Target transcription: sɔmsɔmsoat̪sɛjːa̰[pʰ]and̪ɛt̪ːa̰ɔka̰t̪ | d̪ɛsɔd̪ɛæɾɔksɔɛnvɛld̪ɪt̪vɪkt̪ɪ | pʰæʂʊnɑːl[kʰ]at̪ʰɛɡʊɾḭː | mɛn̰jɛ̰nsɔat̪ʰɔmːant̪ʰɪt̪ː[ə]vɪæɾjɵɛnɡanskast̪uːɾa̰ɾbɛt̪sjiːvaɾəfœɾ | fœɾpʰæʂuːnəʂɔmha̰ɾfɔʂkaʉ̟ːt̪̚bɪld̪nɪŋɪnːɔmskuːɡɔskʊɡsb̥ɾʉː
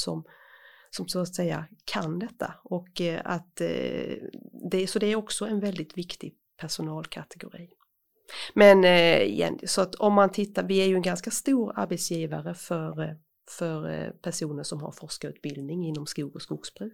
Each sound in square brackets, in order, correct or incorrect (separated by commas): incorrect, correct, incorrect